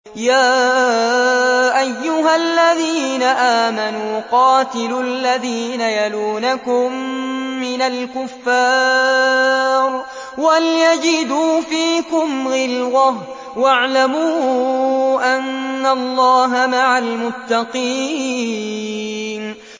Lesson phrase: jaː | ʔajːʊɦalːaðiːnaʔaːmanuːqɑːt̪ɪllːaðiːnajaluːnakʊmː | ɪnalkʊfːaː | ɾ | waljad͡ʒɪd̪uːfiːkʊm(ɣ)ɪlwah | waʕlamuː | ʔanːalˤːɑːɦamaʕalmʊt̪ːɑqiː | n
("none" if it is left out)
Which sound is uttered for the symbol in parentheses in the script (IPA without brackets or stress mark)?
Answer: ɣ